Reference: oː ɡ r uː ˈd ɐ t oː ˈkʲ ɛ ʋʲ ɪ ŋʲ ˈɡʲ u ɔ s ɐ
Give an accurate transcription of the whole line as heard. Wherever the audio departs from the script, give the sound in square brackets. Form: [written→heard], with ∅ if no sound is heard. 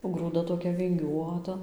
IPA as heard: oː ɡ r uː ˈd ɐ t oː ˈkʲ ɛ ʋʲ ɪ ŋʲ ˈɡʲ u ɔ [s→t] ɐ